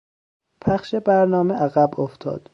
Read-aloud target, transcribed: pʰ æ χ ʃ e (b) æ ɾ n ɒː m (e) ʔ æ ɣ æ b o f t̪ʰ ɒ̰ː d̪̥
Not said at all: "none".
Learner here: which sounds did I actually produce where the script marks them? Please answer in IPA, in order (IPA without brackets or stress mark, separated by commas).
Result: b, e